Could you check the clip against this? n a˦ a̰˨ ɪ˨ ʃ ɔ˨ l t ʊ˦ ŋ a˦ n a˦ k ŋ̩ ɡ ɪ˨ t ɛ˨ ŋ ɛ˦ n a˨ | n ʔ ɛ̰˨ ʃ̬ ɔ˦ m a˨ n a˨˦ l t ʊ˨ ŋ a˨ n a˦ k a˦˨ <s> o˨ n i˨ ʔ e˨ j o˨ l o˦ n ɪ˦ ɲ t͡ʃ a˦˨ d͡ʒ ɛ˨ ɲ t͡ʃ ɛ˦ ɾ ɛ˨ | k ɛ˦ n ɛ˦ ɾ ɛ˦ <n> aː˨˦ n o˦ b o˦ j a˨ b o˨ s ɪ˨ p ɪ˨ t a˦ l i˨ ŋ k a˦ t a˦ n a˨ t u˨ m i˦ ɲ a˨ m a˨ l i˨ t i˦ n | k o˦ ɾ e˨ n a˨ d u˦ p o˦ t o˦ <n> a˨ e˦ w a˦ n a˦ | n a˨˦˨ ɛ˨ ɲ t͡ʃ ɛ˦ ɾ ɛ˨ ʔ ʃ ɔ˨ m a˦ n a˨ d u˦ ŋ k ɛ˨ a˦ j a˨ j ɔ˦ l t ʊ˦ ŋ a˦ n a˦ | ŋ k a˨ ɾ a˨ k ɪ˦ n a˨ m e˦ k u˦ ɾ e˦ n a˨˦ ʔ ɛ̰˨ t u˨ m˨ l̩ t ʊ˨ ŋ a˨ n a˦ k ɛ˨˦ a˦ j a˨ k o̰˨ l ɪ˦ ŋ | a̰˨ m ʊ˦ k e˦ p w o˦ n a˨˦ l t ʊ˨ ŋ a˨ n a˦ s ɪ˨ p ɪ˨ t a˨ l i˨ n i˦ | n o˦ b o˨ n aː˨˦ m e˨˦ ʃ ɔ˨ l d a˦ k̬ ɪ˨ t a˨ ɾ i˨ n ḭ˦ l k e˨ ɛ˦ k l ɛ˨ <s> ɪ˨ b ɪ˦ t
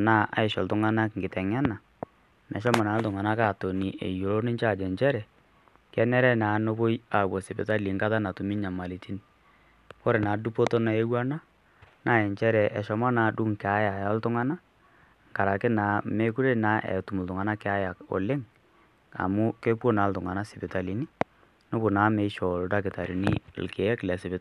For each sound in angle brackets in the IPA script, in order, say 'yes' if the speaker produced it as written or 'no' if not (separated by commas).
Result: no, yes, yes, yes